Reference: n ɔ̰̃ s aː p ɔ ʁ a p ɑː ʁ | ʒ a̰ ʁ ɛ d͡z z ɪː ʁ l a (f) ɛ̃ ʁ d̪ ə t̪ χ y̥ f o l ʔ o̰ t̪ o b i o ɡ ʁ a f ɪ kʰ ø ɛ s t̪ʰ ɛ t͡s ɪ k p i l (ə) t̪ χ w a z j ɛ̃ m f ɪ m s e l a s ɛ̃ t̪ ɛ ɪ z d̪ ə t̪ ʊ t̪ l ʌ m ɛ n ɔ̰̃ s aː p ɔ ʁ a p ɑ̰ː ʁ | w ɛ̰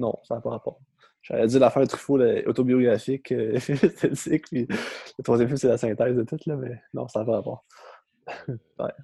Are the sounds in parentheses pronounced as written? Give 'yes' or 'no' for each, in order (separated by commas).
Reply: yes, yes